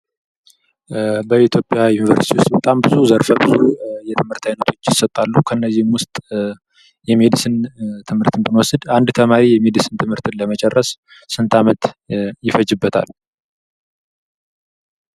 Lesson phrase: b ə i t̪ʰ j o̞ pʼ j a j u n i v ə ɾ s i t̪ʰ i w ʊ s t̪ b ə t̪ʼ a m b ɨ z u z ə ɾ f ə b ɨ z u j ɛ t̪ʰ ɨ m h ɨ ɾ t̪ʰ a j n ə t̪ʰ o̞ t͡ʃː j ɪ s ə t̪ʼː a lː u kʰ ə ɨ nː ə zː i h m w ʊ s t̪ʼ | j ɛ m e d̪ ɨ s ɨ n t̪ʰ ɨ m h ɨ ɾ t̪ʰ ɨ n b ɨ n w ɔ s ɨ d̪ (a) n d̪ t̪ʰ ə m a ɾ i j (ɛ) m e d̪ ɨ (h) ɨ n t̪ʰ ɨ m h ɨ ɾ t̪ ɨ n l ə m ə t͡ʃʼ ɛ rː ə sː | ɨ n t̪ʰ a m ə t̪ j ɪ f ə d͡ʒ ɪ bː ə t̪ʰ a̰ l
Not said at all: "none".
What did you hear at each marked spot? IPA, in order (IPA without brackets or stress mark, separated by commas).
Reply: a, ɛ, s